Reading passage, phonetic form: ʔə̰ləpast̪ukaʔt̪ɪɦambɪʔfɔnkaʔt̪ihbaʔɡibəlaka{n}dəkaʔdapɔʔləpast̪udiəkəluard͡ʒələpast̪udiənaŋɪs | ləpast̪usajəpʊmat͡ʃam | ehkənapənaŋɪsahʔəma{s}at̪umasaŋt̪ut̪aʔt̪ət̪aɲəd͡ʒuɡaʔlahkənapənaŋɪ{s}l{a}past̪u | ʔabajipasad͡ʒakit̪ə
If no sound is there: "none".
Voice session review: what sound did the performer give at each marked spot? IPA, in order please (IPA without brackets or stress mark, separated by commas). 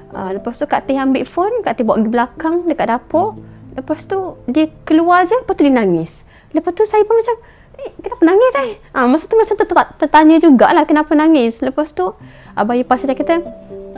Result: ŋ, s, s, ə